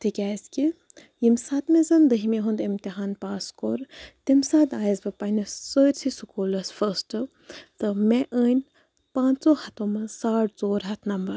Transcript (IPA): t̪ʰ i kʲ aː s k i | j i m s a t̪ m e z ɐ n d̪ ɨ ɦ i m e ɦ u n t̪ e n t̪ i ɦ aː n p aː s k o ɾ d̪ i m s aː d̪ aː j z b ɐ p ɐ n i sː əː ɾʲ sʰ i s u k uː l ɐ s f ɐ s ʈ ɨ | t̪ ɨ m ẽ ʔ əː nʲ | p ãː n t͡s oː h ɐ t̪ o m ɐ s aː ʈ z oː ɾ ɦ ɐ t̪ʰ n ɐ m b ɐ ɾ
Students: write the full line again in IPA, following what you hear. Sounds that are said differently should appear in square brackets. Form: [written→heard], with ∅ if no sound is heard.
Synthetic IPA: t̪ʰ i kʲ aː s k i | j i m s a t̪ m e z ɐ n d̪ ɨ ɦ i m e ɦ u n [t̪→d̪] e [n→m] t̪ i ɦ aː n p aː s k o ɾ [d̪→t̪] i m s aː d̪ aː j z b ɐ p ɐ n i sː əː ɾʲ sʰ i s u k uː l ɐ s f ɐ s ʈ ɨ | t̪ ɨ m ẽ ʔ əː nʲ | p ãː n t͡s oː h ɐ t̪ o m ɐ s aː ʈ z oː ɾ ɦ ɐ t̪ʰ n ɐ m b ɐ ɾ